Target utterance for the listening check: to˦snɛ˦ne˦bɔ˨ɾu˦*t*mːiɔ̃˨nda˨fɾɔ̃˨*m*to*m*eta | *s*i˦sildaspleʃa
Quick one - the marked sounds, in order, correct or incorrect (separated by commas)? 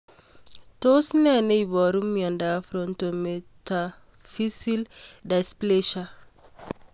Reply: incorrect, incorrect, correct, incorrect